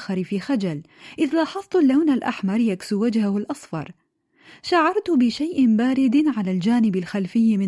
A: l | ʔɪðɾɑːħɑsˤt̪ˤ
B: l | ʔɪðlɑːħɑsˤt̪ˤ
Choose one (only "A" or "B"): B